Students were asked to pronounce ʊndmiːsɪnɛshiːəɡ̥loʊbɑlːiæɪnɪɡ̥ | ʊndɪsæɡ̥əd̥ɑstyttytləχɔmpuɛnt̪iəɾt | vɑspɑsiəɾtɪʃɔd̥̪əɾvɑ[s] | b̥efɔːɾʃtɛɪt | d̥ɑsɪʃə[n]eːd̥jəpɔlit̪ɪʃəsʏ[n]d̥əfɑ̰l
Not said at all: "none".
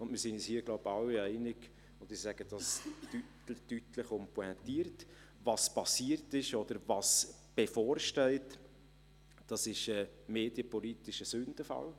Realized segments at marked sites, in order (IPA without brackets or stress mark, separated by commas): s, m, n